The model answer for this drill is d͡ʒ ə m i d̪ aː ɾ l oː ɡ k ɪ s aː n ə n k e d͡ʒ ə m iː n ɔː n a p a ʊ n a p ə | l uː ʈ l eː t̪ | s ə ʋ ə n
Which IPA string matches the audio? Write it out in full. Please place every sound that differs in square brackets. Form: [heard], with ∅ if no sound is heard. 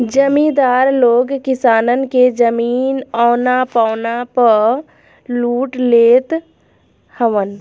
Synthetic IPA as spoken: d͡ʒ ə m i d̪ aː ɾ l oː ɡ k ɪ s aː n ə n k e d͡ʒ ə m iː n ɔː n a p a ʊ n a p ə | l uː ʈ l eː t̪ | [h] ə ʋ ə n